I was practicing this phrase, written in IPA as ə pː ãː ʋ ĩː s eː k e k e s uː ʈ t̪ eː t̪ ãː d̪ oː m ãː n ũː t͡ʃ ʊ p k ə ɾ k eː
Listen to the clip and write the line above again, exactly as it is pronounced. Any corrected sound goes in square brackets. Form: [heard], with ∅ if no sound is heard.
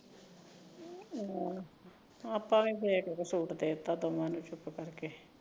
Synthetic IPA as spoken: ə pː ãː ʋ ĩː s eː k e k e s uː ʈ [d̪] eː t̪ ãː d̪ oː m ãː n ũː t͡ʃ ʊ p k ə ɾ k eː